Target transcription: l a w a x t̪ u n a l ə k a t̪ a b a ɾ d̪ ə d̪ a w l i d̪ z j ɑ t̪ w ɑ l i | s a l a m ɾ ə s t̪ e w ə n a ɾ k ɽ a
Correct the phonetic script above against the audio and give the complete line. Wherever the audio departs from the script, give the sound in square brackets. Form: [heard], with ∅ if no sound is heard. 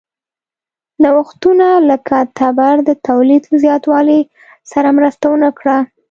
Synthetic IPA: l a w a x t̪ u n a l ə k a t̪ a b a ɾ d̪ ə [t̪] a w l i d̪ z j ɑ t̪ w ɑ l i | s a [ɾ] a m ɾ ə s t̪ [a] w ə n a [∅] k ɽ a

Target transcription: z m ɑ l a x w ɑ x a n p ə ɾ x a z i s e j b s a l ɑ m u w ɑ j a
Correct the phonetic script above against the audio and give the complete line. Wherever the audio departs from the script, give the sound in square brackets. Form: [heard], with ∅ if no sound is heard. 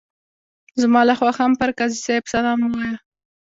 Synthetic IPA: z m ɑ l a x w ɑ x a [m] p ə ɾ [k] a z i s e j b s a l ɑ m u w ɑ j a

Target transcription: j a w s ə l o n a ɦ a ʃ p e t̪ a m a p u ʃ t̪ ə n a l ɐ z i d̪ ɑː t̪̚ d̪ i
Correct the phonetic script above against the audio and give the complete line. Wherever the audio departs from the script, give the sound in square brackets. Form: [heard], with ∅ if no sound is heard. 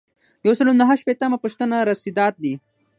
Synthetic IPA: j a w s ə l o n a ɦ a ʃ p e t̪ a m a p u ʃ t̪ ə n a [ɾ] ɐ [s] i d̪ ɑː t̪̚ d̪ i

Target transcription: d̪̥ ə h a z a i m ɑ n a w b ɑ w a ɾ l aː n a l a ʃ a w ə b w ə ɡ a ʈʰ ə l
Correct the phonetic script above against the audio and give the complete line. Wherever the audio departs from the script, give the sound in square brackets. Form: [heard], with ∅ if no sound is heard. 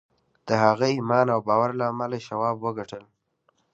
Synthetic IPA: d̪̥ ə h a [ɣ] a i m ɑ n a w b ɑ w a ɾ l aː [m] a l a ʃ a w [ɑ] b w ə ɡ a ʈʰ ə l

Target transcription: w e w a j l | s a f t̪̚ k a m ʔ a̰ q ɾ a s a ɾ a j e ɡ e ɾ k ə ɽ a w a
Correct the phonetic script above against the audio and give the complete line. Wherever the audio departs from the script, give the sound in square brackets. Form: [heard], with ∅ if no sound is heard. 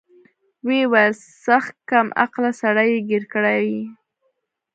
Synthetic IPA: w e w a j l | s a [x] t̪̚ k a m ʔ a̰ q [l] a s a [ɽ] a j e ɡ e ɾ k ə ɽ a w [i]

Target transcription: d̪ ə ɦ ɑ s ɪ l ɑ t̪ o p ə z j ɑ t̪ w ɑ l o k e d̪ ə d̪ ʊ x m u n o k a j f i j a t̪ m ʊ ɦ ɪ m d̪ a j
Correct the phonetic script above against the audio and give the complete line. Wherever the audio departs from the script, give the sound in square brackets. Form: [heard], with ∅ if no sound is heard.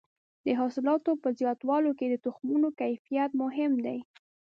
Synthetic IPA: d̪ ə ɦ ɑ s ɪ l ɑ t̪ o p ə z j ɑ t̪ w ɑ l o k e d̪ ə [t̪] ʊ x m u n o k a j f i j a t̪ m ʊ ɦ ɪ m d̪ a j

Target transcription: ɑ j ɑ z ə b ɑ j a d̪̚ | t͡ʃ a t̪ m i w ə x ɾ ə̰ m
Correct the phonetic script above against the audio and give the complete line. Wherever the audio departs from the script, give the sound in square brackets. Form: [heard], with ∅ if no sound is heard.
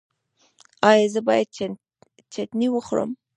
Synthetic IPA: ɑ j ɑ z ə b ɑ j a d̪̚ | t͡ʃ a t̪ [n] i w ə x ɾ ə̰ m

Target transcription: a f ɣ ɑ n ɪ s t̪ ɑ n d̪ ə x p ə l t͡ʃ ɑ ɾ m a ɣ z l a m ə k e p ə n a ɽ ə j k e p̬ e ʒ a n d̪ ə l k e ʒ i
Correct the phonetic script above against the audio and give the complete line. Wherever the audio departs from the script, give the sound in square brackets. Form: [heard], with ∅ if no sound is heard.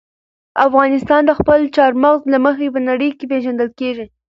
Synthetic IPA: a f ɣ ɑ n ɪ s t̪ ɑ n d̪ ə x p ə l t͡ʃ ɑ ɾ m a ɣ z l a m ə [x] e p ə n a ɽ ə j k e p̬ e ʒ a n d̪ ə l k e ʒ i

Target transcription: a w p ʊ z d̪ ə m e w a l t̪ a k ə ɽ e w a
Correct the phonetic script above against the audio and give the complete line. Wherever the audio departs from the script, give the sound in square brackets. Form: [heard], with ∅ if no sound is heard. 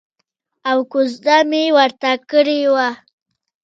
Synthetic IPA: a w [k] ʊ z d̪ [a] m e w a [ɾ] t̪ a k ə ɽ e w a

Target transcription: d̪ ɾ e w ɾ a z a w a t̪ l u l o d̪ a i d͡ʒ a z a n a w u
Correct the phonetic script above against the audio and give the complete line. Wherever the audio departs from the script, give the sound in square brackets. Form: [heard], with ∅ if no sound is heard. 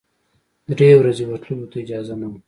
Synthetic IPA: d̪ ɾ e w ɾ a z [e] w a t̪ l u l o [t̪] a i d͡ʒ [ɑ] z a n a w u

